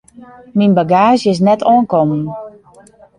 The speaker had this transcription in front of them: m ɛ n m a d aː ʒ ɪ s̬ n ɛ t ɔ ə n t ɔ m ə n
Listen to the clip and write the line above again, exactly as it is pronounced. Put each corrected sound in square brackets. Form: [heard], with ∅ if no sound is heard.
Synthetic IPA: m [i] n [b] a [ɡ] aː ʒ ɪ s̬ n ɛ t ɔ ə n [k] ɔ m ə n